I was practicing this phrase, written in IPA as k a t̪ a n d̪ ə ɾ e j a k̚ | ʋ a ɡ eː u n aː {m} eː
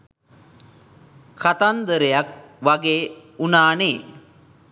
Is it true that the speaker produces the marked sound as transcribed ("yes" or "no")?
no